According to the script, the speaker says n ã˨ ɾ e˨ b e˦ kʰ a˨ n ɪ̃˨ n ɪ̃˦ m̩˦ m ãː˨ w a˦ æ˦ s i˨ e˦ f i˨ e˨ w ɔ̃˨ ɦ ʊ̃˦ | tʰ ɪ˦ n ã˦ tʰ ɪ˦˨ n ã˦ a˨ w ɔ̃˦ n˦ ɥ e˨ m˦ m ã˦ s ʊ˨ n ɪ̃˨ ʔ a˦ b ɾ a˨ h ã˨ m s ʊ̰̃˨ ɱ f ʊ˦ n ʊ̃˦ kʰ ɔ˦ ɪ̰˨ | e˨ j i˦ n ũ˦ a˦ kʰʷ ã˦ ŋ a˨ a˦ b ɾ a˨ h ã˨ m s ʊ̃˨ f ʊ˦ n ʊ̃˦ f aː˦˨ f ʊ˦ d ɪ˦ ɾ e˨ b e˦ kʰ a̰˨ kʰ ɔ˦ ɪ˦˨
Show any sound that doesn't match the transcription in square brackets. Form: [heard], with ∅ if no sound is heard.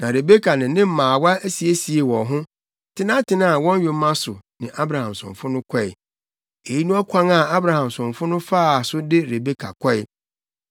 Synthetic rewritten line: n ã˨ ɾ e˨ b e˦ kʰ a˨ n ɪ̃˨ n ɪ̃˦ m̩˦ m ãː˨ w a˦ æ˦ s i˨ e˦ [s] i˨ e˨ w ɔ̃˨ ɦ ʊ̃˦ | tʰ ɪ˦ n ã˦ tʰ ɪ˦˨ n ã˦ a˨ w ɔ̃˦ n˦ ɥ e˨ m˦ m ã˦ s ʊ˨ n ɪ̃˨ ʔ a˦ b ɾ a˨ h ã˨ m s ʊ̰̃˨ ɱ f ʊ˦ n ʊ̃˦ kʰ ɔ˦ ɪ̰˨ | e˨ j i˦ n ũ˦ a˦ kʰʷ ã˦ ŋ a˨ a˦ b ɾ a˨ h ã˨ m s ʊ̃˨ f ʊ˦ n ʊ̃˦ f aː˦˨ [s] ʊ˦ d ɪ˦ ɾ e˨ b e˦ kʰ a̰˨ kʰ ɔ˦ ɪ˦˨